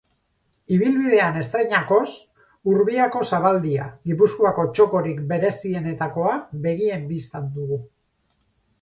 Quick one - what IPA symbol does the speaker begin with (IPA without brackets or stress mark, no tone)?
i